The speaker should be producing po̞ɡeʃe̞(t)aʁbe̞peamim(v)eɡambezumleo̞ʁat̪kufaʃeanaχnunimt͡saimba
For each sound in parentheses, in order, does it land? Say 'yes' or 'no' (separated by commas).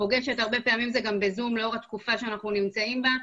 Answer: yes, no